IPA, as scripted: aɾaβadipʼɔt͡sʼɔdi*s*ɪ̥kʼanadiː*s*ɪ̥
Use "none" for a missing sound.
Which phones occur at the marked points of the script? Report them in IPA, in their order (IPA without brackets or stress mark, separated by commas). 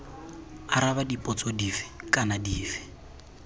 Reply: f, f